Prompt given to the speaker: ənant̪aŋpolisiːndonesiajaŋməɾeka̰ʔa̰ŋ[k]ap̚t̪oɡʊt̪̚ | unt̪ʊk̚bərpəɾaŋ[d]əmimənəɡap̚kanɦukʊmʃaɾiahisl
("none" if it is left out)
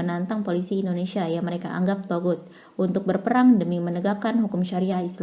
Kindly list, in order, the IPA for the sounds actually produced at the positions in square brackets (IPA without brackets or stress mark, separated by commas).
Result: ɡ, d